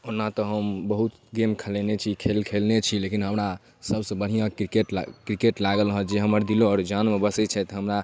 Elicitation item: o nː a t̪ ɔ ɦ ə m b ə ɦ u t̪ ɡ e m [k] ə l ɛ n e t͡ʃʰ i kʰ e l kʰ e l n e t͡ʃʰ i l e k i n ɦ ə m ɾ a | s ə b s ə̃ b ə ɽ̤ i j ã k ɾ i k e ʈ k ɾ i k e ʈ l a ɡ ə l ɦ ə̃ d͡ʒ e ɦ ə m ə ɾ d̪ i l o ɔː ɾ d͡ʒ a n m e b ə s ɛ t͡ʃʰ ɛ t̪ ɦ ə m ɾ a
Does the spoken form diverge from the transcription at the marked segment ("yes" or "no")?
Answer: yes